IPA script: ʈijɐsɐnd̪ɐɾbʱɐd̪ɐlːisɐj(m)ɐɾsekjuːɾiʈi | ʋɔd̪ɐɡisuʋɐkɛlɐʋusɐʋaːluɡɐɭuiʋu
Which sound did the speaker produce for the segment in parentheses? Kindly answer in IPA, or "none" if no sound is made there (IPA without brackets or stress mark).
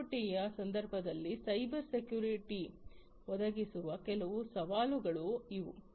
b